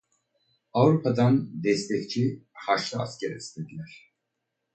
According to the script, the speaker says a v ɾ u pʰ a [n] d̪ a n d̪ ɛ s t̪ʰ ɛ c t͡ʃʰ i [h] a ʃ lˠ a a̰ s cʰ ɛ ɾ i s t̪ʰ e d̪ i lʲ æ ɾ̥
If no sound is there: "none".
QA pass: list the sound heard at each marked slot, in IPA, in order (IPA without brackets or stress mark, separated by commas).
none, h